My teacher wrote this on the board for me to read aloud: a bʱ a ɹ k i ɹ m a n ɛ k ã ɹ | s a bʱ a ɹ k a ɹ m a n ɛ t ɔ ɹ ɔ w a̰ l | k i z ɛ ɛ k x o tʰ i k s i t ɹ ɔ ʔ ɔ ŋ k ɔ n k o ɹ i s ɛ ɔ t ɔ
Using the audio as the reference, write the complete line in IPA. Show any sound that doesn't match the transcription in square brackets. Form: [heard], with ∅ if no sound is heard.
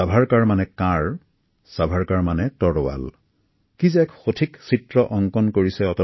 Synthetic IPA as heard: a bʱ a ɹ k [a] ɹ m a n ɛ k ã ɹ | s a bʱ a ɹ k a ɹ m a n ɛ t ɔ ɹ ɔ w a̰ l | k i z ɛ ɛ k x o tʰ i k s i t ɹ ɔ ʔ ɔ ŋ k ɔ n k o ɹ i s ɛ ɔ t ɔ